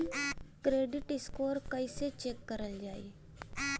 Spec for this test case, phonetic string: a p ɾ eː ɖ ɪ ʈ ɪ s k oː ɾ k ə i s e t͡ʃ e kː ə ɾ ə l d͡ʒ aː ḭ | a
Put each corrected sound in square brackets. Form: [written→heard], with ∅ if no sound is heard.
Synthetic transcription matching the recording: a [p→k] ɾ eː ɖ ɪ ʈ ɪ s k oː ɾ k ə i s e t͡ʃ e kː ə ɾ ə l d͡ʒ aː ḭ | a